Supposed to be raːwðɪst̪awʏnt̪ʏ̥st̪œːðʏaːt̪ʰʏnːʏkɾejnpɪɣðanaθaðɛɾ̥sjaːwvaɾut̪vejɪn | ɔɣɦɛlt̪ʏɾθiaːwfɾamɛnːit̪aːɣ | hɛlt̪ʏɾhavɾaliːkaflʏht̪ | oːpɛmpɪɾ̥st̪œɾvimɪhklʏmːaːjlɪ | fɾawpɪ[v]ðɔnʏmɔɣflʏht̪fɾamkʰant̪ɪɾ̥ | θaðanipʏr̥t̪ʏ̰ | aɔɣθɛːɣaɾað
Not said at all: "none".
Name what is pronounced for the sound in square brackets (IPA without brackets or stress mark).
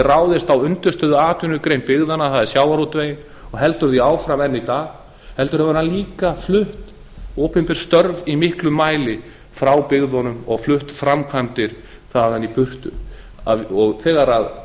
ɣ